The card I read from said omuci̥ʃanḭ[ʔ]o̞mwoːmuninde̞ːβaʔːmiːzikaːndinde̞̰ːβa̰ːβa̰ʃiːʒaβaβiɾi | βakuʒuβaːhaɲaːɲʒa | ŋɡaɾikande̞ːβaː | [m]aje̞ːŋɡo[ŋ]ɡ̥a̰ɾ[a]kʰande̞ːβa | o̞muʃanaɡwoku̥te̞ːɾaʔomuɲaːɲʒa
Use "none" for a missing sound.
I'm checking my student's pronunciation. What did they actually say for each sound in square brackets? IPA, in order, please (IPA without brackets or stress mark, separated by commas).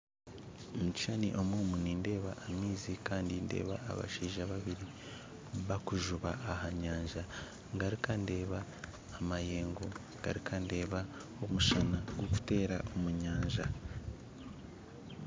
ʔ, m, ŋ, i